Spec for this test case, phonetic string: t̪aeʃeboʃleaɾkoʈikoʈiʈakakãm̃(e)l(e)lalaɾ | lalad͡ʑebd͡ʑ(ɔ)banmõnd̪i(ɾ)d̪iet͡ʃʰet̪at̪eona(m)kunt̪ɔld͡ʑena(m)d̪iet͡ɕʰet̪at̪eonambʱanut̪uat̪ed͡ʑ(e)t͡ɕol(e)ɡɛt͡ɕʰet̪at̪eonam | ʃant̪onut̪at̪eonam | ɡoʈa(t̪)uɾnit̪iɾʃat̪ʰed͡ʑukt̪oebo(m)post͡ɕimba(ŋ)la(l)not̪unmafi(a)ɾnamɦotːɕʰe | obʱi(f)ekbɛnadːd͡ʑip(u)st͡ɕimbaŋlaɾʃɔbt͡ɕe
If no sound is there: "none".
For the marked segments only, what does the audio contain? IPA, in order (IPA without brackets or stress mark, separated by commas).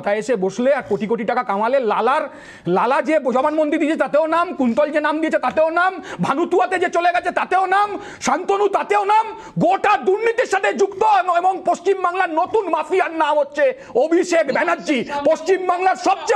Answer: a, e, ɔ, ɾ, m, m, e, e, d̪, ŋ, ŋ, ɾ, a, ʃ, o